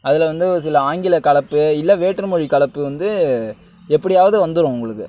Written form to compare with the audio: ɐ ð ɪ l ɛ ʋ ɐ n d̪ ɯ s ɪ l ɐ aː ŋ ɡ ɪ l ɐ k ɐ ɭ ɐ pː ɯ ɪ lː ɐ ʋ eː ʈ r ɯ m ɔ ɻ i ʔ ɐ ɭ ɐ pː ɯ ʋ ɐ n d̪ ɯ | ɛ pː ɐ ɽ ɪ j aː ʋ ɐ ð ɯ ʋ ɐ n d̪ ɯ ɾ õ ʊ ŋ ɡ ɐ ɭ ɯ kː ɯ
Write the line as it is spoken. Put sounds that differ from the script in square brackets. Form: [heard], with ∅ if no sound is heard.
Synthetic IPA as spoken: ɐ ð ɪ l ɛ ʋ ɐ n d̪ ɯ s ɪ l ɐ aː ŋ ɡ ɪ l ɐ k ɐ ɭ ɐ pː ɯ ɪ lː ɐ ʋ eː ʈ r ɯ m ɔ ɻ i [k] ɐ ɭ ɐ pː ɯ ʋ ɐ n d̪ ɯ | ɛ pː ɐ ɽ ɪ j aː ʋ ɐ ð ɯ ʋ ɐ n d̪ ɯ ɾ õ ʊ ŋ ɡ ɐ ɭ ɯ kː ɯ